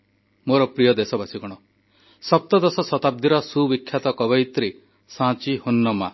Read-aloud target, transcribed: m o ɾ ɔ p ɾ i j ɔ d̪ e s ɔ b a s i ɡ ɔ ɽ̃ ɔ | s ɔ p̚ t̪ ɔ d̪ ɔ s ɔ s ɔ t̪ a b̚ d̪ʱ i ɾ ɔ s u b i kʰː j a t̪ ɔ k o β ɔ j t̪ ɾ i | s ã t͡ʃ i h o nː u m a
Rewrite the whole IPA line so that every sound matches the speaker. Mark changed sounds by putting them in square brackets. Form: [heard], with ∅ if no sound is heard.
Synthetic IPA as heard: m o ɾ ɔ p ɾ i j ɔ d̪ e s ɔ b a s i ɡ ɔ ɽ̃ ɔ | s ɔ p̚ t̪ ɔ d̪ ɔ s ɔ s ɔ t̪ a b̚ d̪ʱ i ɾ ɔ s u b i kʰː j a t̪ ɔ k [ɔ] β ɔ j t̪ ɾ i | s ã t͡ʃ i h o nː [ɔ] m a